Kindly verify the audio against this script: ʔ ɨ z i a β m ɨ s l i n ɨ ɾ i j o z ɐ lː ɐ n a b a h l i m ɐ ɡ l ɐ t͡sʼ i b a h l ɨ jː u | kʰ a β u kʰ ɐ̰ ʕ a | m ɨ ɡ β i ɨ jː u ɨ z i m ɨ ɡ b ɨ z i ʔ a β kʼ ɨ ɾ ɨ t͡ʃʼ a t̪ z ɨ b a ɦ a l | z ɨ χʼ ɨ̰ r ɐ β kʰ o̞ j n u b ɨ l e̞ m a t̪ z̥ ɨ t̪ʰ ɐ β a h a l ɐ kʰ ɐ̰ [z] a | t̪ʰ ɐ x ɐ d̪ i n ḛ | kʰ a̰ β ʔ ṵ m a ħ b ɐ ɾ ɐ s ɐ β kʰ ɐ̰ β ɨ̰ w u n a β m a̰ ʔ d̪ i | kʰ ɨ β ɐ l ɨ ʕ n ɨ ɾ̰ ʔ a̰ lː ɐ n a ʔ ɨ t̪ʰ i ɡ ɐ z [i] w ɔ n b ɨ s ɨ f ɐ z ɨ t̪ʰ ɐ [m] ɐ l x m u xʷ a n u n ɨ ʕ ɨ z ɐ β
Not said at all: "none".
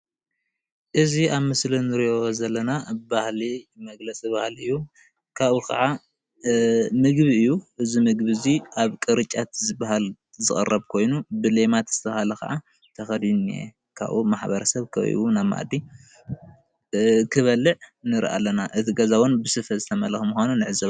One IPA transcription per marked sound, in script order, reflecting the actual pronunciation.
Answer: ʕ, a, m

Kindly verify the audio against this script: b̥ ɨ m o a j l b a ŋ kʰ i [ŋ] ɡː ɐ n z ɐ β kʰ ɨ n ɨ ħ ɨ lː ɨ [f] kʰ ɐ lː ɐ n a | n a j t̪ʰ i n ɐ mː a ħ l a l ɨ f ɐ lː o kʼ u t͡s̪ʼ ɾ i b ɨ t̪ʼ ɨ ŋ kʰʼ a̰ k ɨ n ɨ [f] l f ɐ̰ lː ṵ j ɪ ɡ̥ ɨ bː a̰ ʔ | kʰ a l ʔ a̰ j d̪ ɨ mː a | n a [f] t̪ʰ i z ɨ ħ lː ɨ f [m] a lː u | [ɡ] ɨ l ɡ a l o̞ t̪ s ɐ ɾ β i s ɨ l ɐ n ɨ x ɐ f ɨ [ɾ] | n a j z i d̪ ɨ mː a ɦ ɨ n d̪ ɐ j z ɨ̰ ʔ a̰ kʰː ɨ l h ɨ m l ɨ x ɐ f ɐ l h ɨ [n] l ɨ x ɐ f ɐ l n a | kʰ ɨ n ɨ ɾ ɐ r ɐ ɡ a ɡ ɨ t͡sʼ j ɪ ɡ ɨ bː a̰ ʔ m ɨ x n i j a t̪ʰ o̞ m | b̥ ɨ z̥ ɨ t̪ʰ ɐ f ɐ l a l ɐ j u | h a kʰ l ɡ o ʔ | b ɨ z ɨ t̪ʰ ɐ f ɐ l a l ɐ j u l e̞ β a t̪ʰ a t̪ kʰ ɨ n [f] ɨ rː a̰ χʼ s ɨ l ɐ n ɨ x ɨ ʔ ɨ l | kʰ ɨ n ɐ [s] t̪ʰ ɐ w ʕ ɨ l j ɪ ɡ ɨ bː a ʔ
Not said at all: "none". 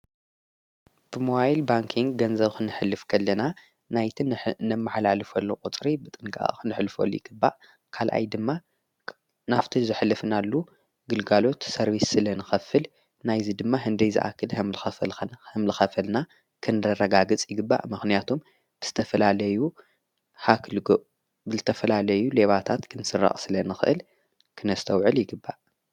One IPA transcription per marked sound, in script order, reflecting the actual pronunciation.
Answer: ŋ, f, ħ, f, n, ɡ, l, m, s, s

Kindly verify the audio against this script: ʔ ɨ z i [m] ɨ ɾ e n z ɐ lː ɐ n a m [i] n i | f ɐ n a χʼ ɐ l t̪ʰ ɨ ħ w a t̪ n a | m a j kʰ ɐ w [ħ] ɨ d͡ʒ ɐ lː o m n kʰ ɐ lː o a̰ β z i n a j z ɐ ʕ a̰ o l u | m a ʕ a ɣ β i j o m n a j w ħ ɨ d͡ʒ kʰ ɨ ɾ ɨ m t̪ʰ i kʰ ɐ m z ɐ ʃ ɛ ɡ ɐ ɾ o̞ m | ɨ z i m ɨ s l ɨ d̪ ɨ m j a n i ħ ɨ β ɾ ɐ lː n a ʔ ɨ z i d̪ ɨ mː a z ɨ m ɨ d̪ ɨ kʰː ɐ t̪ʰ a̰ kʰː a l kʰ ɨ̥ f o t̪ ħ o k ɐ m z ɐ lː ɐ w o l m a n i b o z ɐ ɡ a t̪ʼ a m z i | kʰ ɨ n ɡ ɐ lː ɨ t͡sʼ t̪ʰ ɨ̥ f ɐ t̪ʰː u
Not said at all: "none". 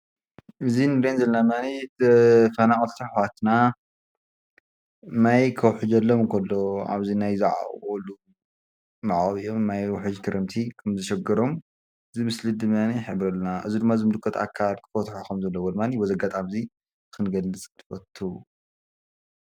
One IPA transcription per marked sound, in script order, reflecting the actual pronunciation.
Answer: n, a, ħ

